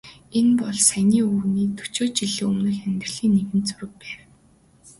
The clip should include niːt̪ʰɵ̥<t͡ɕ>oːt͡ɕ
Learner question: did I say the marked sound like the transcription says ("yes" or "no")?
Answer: yes